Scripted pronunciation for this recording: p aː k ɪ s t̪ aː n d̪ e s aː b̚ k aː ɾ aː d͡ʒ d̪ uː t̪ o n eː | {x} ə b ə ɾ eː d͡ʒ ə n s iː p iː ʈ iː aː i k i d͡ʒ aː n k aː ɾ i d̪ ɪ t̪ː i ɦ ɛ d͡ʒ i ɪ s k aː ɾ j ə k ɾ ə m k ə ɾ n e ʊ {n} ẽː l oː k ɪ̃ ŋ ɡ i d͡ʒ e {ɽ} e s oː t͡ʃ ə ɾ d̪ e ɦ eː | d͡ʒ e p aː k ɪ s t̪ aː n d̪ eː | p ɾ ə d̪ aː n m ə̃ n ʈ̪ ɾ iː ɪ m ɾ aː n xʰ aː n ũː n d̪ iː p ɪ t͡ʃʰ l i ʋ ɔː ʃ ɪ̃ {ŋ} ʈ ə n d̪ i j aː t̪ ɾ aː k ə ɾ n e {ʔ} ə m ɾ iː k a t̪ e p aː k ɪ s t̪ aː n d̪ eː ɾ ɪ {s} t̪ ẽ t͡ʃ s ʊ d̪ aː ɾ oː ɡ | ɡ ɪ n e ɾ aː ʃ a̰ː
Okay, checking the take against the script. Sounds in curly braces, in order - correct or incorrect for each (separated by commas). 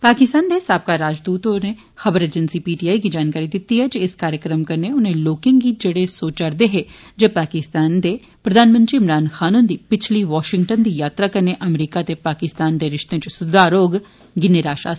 correct, correct, correct, correct, correct, incorrect